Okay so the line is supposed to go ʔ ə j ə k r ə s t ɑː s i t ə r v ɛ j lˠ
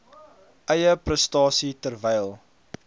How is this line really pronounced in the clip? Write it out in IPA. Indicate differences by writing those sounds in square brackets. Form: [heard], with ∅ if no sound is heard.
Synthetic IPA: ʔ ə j ə [p] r ə s t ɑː s i t ə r v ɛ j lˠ